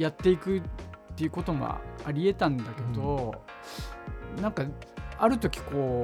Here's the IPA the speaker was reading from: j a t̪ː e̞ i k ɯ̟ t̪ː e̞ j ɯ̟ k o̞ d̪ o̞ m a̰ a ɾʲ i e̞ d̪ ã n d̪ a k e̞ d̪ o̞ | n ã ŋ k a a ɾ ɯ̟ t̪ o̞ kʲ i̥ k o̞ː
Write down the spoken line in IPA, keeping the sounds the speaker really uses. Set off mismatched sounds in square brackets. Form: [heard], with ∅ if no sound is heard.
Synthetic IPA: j a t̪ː e̞ i k ɯ̟ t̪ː e̞ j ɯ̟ k o̞ [t̪] o̞ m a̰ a ɾʲ i e̞ [t̪] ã n d̪ a k e̞ d̪ o̞ | n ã ŋ k a a ɾ ɯ̟ t̪ o̞ kʲ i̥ k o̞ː